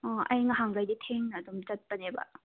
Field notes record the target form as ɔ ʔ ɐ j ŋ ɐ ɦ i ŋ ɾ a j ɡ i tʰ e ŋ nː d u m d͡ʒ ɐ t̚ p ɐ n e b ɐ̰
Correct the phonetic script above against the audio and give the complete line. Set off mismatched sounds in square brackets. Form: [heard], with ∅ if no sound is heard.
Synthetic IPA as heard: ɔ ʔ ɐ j ŋ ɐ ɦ [a] ŋ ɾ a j [d] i tʰ e ŋ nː d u m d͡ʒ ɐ t̚ p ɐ n e b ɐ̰